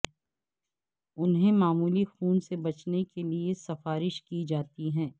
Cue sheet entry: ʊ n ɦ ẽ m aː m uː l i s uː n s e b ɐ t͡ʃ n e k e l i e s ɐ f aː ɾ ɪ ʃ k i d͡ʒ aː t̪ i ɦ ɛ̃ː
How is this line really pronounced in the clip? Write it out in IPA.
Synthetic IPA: ʊ n ɦ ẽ m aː m uː l i x uː n s e b ɐ t͡ʃ n e k e l i e s ɐ f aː ɾ ɪ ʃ k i d͡ʒ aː t̪ i ɦ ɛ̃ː